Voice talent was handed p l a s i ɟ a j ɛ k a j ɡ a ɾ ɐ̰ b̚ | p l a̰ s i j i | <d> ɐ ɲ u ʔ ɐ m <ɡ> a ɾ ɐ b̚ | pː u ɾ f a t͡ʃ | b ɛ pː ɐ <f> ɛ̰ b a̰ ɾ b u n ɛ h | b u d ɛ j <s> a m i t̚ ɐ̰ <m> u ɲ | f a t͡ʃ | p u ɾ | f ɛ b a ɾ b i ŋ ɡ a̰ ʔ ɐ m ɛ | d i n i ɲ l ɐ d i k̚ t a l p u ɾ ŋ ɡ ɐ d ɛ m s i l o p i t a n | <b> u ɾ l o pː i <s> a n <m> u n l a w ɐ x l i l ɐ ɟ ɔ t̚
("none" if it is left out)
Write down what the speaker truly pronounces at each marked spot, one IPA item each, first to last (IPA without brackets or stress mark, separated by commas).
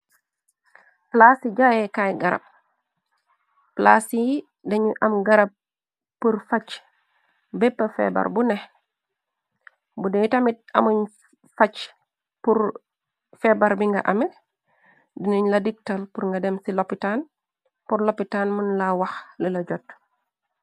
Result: d, ɡ, f, t, m, p, t, m